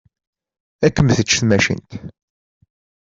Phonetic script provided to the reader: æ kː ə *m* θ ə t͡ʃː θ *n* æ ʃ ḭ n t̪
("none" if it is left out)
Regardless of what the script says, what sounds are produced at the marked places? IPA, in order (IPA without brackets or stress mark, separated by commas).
m, m